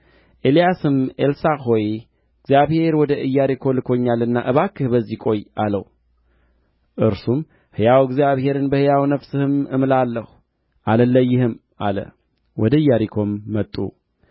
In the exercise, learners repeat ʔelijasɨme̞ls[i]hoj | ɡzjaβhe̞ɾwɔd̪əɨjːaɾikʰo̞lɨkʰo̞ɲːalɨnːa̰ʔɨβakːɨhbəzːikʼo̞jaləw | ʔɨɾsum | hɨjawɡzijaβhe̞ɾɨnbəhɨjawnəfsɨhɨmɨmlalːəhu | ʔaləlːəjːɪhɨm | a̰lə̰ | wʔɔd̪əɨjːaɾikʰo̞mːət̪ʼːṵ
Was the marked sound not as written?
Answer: yes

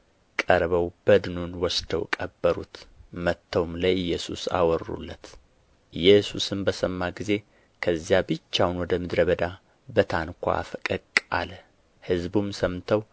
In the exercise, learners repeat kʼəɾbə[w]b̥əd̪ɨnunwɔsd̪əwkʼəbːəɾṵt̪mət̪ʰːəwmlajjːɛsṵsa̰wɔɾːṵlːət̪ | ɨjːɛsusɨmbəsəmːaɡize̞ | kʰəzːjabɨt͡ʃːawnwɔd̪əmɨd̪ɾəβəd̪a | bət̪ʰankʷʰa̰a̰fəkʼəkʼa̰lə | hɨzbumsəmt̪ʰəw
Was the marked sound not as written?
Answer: no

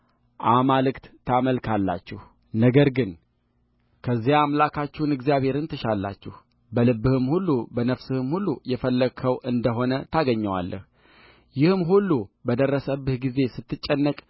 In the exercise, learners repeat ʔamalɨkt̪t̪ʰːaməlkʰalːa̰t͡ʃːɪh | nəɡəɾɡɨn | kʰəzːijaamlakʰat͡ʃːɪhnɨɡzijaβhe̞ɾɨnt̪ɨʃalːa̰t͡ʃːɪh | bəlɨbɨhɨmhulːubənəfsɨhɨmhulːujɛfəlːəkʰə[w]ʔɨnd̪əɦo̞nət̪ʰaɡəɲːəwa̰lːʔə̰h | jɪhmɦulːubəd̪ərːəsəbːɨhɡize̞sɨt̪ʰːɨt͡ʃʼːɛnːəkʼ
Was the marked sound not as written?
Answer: no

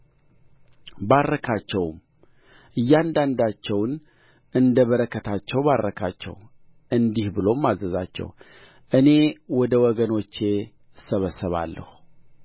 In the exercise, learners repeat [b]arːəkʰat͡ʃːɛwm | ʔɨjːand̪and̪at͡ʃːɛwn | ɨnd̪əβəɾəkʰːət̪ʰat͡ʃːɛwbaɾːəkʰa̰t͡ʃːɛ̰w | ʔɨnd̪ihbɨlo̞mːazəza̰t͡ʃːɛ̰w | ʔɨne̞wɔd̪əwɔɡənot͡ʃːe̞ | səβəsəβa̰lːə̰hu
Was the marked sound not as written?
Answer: no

